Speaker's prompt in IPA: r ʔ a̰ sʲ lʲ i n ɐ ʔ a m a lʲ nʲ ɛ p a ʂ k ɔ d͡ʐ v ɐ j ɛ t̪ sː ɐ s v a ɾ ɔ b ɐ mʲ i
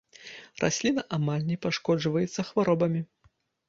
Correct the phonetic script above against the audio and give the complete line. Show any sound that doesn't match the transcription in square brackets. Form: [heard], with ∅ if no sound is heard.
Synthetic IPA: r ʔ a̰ sʲ lʲ i n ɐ ʔ a m a lʲ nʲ ɛ p a ʂ k ɔ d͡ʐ v ɐ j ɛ t̪ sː ɐ [x] v a ɾ ɔ b ɐ mʲ i

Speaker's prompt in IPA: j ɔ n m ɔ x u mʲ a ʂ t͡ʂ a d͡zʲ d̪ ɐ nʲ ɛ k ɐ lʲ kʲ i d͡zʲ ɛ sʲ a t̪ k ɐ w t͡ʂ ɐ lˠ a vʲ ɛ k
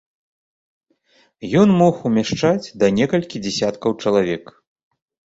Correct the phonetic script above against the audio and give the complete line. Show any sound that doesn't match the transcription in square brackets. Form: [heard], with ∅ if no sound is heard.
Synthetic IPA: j ɔ n m ɔ x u mʲ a ʂ t͡ʂ a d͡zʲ d̪ ɐ nʲ ɛ k ɐ lʲ kʲ i d͡zʲ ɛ sʲ a t̪ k ɐ w t͡ʂ ɐ lˠ a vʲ ɛ k

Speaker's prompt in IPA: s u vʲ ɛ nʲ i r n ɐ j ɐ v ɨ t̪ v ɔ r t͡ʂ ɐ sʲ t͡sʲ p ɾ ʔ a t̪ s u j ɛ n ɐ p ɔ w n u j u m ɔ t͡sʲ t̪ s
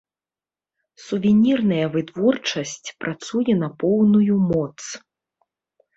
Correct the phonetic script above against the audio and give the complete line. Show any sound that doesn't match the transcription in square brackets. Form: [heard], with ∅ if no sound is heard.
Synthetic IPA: s u vʲ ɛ nʲ i r n ɐ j ɐ v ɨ t̪ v ɔ r t͡ʂ ɐ sʲ t͡sʲ p ɾ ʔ a t̪ s u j ɛ n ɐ p ɔ w n u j u m ɔ [∅] t̪ s

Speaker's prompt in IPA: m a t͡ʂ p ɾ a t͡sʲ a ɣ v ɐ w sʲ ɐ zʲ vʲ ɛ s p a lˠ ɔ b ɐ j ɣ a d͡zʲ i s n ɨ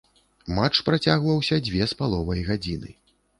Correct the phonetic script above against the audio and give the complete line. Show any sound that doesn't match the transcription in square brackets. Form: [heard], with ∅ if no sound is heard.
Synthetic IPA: m a t͡ʂ p ɾ a t͡sʲ a ɣ v ɐ w sʲ ɐ [d͡zʲ] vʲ ɛ s p a lˠ ɔ [v] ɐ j ɣ a d͡zʲ i [∅] n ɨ

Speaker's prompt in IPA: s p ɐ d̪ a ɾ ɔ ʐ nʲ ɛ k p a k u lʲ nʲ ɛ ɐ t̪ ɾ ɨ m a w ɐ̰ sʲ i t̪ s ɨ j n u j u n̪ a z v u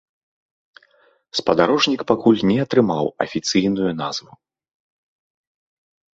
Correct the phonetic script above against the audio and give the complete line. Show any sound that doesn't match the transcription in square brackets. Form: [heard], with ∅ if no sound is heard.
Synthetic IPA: s p ɐ d̪ a ɾ ɔ ʐ nʲ [i] k p a k u lʲ nʲ ɛ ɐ t̪ ɾ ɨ m a w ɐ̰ [fʲ] i t̪ s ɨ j n u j u n̪ a z v u

